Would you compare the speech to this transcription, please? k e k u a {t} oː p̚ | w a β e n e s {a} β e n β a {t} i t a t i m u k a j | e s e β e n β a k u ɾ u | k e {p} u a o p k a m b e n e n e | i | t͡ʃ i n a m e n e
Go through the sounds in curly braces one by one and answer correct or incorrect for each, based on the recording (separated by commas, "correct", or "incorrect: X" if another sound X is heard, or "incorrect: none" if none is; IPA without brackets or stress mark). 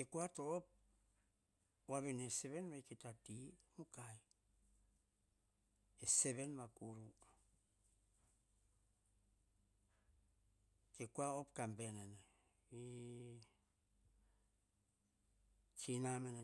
correct, incorrect: e, incorrect: k, incorrect: k